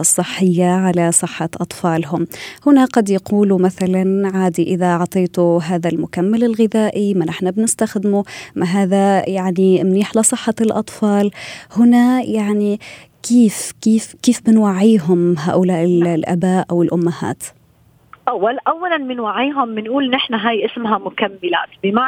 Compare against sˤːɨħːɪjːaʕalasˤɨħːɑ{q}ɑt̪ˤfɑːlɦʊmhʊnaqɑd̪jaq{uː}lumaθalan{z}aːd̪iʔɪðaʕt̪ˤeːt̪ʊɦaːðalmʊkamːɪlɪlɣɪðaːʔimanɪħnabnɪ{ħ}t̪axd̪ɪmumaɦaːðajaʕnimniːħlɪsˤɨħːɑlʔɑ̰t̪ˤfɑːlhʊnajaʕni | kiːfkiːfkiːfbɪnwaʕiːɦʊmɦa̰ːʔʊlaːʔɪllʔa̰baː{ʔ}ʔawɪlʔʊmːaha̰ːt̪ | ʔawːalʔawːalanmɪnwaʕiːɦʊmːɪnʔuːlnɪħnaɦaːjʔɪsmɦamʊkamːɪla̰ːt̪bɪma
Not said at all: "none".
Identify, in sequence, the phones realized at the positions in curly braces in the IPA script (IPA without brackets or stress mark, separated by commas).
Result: ʔ, uː, ʕ, s, ʔ